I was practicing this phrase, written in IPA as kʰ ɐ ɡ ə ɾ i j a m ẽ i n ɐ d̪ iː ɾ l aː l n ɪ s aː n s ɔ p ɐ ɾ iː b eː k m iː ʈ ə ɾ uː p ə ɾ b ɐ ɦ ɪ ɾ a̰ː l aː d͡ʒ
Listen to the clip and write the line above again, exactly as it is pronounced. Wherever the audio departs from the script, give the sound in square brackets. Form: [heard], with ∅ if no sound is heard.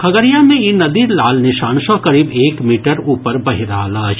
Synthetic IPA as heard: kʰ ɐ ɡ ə ɾ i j a m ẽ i n ɐ d̪ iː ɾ l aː l n ɪ [ʃ] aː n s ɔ [k] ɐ ɾ iː b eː k m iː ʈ ə ɾ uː p ə ɾ b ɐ ɦ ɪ ɾ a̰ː l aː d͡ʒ